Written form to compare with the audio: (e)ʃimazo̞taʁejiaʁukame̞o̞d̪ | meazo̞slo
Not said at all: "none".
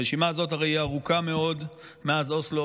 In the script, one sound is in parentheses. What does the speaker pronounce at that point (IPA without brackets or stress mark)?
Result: e